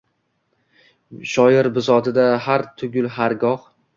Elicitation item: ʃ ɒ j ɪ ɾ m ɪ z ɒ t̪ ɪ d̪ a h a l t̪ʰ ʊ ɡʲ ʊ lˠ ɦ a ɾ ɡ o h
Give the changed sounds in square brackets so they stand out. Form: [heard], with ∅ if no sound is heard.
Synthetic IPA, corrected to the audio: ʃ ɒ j ɪ ɾ [b] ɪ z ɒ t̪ ɪ d̪ a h a [ɾ] t̪ʰ ʊ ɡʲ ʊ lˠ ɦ a ɾ ɡ [ɒ] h